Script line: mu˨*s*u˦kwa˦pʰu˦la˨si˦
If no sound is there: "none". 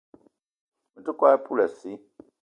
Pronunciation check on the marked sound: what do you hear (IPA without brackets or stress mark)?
t